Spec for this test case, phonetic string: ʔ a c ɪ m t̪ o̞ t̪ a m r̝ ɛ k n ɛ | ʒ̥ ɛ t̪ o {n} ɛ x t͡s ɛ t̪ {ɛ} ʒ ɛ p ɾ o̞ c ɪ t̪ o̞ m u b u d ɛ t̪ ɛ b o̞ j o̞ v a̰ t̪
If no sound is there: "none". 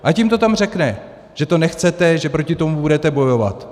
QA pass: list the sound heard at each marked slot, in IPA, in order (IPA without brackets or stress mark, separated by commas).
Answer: n, ɛ